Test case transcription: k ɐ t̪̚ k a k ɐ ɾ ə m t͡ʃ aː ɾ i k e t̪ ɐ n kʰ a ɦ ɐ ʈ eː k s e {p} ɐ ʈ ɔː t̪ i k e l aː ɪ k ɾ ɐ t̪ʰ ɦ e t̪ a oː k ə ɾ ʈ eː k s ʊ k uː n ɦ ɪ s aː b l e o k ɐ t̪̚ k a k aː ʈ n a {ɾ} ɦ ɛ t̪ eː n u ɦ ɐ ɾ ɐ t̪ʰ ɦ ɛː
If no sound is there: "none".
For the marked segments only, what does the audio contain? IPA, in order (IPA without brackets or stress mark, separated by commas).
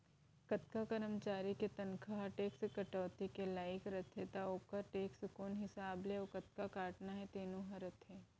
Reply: k, none